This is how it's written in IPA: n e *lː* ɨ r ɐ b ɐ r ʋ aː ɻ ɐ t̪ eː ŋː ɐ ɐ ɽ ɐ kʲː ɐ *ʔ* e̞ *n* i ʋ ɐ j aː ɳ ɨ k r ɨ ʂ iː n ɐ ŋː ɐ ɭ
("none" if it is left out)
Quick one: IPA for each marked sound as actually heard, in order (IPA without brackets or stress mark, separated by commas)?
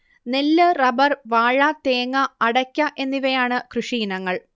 lː, ʔ, nː